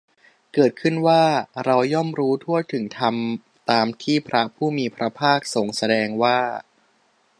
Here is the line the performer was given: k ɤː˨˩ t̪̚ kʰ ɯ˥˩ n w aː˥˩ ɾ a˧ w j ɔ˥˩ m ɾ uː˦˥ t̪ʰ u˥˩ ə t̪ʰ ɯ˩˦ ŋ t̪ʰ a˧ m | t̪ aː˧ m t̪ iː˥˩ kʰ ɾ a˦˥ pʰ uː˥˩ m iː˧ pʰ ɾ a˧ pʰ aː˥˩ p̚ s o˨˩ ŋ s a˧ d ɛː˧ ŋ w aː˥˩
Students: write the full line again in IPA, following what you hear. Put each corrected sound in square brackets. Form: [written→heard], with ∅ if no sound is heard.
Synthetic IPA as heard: k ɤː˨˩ t̪̚ kʰ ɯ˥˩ n w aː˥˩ ɾ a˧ w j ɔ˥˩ m ɾ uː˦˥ t̪ʰ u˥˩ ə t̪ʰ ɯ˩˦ ŋ t̪ʰ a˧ m | t̪ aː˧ m [t̪→t̪ʰ] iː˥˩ [kʰ→pʰ] ɾ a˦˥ pʰ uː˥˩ m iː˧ pʰ ɾ [a˧→a˦˥] pʰ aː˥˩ [p̚→k̚] s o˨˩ ŋ s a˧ d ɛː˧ ŋ w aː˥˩